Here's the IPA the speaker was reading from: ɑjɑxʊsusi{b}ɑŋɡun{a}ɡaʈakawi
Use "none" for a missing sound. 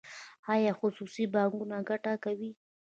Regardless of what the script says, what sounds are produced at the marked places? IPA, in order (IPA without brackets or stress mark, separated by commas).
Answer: b, a